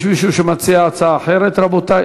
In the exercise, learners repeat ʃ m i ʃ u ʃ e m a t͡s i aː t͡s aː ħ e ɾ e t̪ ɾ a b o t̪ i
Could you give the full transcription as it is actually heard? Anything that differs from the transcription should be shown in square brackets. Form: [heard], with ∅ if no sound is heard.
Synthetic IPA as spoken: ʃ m i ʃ u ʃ e m a t͡s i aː t͡s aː ħ e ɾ e t̪ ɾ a b o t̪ [a]